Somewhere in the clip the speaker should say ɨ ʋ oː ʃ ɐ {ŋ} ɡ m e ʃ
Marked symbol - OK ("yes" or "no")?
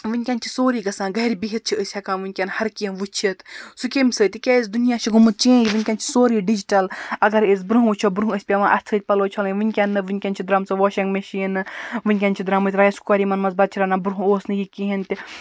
yes